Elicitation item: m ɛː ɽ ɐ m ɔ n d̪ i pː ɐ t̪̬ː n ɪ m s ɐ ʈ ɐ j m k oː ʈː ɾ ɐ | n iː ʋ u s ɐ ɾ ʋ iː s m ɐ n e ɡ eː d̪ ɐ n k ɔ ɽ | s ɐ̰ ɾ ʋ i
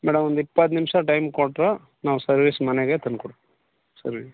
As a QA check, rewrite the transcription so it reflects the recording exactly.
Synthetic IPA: m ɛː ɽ ɐ m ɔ n d̪ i pː ɐ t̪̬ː n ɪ m ʂ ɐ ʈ ɐ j m k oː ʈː ɾ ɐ | n aː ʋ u s ɐ ɾ ʋ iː s m ɐ n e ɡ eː t̪ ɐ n k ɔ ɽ | s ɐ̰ ɾ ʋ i